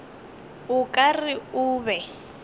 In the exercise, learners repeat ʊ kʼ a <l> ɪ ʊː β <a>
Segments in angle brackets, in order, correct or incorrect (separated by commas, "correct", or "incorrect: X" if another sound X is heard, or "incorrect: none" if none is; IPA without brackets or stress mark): incorrect: r, incorrect: ɛ